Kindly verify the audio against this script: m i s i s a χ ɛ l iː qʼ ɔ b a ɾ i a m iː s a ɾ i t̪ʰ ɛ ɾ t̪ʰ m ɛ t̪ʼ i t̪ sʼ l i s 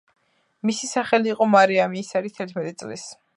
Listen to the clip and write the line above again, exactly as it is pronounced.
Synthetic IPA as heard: m i s i s a χ ɛ l iː qʼ ɔ m a ɾ i a m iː s a ɾ i t̪ʰ ɛ ɾ t̪ʰ m ɛ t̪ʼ i t̪ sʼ l i s